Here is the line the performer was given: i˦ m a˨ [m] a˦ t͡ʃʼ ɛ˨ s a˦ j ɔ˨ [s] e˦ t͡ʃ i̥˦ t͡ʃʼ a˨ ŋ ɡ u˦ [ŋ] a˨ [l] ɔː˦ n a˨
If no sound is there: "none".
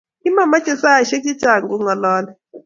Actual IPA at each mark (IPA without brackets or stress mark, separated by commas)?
m, ʃ, ŋ, l